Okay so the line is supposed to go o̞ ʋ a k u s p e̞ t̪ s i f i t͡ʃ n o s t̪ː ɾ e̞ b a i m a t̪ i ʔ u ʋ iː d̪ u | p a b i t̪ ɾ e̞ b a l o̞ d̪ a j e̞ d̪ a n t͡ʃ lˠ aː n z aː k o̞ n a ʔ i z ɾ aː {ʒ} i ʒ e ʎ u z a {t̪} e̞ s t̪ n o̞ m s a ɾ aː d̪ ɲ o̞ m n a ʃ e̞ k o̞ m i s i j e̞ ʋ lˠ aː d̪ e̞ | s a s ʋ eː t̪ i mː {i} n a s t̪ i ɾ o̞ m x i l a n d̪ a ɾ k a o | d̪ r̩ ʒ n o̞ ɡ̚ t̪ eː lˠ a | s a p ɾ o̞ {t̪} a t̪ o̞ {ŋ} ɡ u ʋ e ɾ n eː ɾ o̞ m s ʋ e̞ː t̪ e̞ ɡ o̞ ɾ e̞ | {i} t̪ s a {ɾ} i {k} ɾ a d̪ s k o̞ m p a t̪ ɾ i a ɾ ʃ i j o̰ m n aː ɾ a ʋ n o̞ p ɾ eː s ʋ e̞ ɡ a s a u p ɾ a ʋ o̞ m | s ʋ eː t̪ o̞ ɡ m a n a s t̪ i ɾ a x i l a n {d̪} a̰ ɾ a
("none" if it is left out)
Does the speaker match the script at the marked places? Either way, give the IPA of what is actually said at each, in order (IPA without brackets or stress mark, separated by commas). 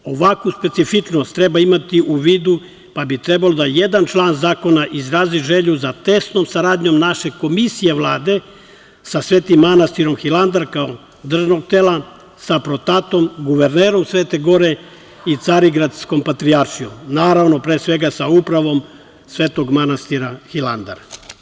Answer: z, t̪, a, t̪, m, i, ɾ, ɡ, d̪